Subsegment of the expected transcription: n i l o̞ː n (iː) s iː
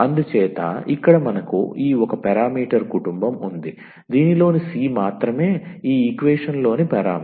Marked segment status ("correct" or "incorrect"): incorrect